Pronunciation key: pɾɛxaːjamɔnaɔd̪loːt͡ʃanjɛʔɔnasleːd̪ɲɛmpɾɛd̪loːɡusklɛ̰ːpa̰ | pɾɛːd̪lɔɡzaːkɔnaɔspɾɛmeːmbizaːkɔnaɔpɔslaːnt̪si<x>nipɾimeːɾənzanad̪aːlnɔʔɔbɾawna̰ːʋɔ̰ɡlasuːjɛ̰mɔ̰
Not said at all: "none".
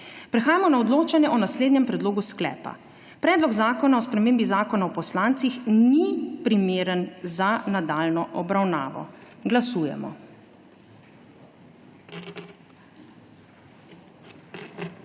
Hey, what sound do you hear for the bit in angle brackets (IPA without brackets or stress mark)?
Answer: x